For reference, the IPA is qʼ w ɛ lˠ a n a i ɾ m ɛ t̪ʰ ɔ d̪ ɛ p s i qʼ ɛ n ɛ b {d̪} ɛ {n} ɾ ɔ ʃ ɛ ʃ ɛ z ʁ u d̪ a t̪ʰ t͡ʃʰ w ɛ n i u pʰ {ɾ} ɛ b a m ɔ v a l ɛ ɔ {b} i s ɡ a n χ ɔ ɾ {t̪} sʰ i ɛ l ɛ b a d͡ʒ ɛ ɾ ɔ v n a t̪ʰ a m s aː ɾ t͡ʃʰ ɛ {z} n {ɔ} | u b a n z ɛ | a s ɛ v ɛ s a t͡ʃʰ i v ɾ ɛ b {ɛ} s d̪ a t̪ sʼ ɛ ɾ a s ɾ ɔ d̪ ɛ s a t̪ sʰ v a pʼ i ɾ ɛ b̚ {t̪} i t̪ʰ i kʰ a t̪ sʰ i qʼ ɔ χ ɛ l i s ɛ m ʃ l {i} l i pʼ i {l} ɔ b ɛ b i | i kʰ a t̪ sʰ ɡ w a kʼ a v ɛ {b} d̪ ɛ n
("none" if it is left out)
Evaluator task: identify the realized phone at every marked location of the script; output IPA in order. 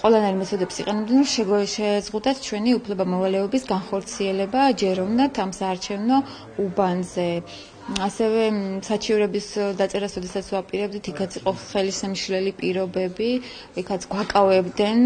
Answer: d̪, n, l, b, t̪, v, ɔ, i, d̪, ɛ, ɾ, b

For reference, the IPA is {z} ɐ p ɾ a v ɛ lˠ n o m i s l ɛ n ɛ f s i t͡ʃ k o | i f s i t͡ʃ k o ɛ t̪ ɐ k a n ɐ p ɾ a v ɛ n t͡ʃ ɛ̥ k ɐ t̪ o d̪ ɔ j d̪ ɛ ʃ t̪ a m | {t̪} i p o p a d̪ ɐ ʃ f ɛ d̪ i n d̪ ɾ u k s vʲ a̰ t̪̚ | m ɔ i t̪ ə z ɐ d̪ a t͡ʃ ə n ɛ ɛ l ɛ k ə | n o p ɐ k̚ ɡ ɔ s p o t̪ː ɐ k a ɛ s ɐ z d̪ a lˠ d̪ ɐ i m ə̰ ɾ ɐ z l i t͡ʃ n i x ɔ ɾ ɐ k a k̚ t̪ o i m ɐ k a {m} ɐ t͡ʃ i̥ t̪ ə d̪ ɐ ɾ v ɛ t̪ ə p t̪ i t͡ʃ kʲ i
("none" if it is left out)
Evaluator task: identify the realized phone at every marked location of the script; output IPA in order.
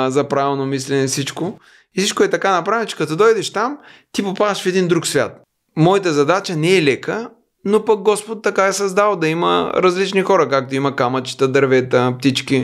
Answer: z, t̪, m

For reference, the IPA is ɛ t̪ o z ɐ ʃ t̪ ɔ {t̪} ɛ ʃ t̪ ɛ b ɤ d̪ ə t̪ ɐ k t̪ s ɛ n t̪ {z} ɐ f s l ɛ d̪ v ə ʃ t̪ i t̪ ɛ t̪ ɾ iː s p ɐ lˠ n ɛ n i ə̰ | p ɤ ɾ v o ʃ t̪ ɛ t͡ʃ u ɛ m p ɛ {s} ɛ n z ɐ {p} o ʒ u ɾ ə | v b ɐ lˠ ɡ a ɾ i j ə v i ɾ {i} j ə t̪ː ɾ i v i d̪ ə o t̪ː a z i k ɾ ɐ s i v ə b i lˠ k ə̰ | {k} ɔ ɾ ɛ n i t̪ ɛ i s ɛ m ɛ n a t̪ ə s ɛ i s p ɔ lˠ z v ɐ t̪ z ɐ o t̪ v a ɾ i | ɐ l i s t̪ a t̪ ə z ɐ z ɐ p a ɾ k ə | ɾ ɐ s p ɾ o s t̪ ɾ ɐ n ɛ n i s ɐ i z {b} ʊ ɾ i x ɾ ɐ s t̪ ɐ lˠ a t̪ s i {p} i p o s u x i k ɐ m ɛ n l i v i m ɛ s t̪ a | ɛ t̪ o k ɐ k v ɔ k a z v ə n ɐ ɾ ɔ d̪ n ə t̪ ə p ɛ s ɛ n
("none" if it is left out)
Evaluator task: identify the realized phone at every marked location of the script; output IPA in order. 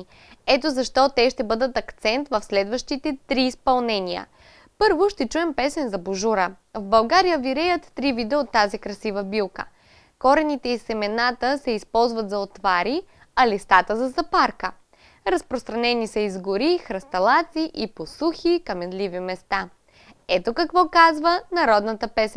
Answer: t̪, v, s, b, ɛ, k, ɡ, ʔ

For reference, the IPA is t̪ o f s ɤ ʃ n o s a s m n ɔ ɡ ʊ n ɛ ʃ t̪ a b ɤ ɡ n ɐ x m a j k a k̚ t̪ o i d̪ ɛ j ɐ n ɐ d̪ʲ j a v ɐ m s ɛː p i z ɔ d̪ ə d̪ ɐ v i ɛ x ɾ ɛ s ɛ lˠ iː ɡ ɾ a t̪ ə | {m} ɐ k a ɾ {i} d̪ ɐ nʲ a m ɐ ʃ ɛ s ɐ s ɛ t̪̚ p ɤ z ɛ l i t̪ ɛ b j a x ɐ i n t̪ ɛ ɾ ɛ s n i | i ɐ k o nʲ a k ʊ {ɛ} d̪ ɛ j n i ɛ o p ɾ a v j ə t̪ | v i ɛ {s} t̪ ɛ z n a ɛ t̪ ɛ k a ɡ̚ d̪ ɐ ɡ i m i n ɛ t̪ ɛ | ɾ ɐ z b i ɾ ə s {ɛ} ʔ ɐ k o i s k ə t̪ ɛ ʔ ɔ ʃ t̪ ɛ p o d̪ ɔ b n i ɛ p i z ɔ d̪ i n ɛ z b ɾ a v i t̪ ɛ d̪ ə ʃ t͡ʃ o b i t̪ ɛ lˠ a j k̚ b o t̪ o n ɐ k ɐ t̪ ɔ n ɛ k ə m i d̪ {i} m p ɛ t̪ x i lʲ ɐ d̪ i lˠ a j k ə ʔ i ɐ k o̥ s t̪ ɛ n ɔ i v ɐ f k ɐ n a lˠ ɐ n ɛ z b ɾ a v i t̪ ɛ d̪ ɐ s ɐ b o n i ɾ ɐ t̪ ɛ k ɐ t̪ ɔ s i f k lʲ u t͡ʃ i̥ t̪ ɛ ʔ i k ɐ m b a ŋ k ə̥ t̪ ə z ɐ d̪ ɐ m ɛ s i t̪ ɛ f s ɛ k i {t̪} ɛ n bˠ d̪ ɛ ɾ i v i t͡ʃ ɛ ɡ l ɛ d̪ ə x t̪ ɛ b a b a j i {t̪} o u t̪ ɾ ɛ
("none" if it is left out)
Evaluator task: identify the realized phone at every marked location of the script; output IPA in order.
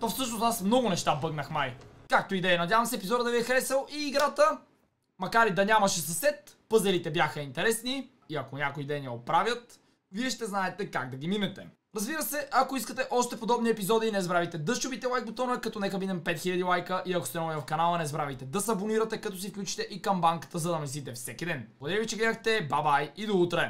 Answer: m, i, i, ʃ, ɛ, ɛ, d̪, d̪

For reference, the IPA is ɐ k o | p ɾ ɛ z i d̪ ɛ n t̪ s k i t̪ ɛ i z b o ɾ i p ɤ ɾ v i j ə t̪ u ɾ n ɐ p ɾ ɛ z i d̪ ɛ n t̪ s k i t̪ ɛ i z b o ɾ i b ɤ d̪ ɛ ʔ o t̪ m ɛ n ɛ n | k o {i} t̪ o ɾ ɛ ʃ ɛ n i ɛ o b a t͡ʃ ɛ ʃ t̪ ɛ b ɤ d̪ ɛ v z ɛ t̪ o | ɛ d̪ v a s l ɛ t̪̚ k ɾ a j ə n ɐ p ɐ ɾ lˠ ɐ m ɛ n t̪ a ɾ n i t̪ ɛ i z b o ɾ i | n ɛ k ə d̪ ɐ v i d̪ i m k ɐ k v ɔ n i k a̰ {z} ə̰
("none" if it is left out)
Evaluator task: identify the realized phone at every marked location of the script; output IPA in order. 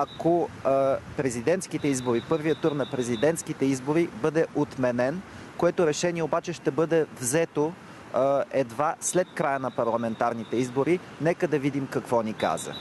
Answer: ɛ, z

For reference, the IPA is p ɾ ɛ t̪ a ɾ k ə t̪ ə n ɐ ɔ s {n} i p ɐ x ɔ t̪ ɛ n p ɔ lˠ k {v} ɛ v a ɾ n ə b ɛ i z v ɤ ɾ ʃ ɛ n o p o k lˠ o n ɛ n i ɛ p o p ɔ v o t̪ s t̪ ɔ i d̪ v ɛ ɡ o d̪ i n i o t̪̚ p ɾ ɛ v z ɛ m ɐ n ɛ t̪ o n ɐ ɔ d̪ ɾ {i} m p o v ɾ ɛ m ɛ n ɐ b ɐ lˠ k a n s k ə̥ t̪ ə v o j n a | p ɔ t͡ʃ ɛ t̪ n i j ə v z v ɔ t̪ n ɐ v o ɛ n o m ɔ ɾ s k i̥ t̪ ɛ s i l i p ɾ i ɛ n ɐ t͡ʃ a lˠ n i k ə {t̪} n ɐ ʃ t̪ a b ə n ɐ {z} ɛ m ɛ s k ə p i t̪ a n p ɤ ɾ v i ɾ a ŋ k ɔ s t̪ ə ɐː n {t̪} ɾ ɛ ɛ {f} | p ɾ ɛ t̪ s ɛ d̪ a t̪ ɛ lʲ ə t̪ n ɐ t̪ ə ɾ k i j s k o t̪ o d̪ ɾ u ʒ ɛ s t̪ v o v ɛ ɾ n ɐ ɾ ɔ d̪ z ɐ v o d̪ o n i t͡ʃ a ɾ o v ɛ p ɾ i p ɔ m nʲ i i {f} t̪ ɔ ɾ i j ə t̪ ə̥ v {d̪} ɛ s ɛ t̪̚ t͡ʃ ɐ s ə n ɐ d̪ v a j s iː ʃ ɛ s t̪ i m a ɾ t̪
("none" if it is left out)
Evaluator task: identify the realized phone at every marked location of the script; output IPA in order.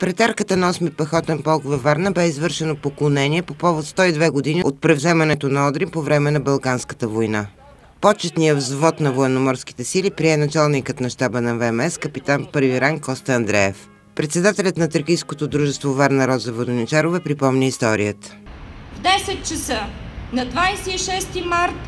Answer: m, v, i, t̪, v, d̪, f, s, d̪

